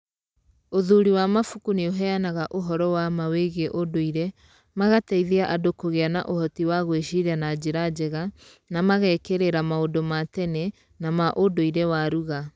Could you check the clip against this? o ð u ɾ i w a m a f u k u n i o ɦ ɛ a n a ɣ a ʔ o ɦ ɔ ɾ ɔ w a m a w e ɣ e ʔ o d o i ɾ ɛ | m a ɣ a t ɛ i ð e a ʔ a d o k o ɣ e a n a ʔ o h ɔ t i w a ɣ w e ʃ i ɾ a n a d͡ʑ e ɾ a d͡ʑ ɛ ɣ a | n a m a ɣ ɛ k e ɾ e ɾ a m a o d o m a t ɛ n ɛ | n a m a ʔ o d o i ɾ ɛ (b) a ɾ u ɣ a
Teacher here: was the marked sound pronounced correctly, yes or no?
no